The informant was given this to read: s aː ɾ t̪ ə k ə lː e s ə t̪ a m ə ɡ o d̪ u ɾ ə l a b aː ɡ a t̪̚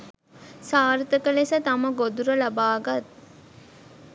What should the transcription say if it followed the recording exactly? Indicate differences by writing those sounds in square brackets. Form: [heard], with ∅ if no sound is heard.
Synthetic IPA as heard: s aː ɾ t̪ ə k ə [l] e s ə t̪ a m ə ɡ o d̪ u ɾ ə l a b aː ɡ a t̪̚

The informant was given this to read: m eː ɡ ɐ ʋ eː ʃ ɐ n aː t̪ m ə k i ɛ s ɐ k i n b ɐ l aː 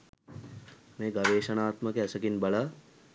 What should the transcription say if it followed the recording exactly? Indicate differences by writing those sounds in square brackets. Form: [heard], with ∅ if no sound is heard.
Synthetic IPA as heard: m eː ɡ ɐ ʋ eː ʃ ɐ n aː t̪ m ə k [e] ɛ s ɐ k i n b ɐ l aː

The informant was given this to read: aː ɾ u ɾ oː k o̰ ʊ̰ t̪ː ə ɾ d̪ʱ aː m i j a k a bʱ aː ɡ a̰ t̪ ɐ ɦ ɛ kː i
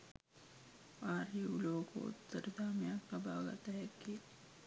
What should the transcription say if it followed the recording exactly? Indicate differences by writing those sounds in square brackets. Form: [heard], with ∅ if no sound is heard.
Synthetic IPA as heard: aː ɾ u [l] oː k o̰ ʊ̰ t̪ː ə ɾ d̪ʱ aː m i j a k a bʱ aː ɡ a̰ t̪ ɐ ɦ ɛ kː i

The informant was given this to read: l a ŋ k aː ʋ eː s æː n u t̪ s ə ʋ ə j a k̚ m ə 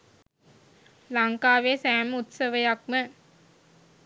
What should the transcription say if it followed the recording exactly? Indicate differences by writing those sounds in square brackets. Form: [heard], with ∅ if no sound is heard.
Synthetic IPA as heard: l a ŋ k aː ʋ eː s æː [m] u t̪ s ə ʋ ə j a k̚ m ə

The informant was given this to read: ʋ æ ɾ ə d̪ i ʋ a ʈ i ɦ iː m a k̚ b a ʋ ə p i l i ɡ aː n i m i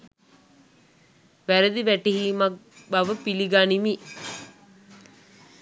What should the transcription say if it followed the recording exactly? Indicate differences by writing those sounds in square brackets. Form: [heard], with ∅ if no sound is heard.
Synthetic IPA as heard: ʋ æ ɾ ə d̪ i ʋ [æ] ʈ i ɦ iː m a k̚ b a ʋ ə p i l i ɡ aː n i m i

